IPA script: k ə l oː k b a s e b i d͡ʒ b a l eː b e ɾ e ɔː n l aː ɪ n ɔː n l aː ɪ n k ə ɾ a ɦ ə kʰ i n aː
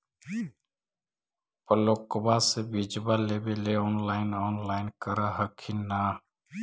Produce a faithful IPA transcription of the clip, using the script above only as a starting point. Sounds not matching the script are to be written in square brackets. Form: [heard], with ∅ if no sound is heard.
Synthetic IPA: [p] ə l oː k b a s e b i d͡ʒ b a l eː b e [l] e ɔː n l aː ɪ n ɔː n l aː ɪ n k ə ɾ a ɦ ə kʰ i n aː